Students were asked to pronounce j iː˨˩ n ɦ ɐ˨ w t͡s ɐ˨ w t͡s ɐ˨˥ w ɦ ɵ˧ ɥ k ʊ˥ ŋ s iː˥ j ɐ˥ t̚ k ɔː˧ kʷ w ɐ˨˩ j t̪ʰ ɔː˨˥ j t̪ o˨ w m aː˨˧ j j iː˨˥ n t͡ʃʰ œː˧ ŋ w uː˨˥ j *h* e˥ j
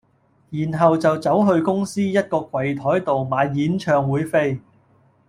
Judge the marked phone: incorrect: f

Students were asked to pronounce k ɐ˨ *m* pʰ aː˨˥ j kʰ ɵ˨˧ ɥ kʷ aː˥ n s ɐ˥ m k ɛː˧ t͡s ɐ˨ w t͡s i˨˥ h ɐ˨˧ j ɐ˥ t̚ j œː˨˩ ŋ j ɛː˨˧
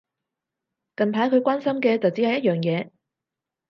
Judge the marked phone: incorrect: n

